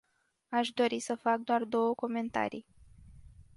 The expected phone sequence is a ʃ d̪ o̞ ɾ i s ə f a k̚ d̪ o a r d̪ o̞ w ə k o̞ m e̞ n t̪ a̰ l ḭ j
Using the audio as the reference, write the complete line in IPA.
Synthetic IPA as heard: a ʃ d̪ o̞ ɾ i s ə f a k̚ d̪ o a r d̪ o̞ w ə k o̞ m e̞ n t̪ a̰ ɾ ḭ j